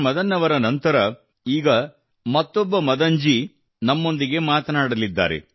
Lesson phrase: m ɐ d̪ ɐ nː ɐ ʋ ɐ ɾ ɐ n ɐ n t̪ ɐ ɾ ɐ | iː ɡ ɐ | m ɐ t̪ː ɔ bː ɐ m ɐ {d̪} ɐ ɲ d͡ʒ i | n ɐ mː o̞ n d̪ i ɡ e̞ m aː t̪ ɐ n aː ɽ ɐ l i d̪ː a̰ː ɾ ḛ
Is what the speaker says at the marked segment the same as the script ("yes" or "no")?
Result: yes